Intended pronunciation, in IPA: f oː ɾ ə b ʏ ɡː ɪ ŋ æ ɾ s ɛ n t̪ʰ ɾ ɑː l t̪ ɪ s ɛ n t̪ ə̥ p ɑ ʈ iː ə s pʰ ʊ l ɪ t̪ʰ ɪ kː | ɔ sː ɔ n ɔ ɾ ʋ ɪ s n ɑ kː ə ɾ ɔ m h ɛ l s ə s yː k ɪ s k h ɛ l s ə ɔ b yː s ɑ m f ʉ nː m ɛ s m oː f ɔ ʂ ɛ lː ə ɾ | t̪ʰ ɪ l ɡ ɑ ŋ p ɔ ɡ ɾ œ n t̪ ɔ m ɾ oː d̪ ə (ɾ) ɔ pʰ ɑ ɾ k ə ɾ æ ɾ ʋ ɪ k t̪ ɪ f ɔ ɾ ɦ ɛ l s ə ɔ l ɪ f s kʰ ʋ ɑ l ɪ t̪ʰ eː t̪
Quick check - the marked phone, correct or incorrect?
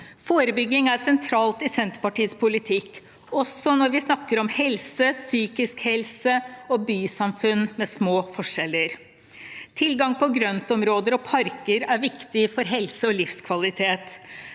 correct